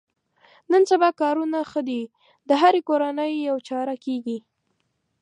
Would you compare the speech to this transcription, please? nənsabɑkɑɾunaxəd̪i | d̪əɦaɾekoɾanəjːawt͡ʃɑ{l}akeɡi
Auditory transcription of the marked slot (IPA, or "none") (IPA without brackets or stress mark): ɾ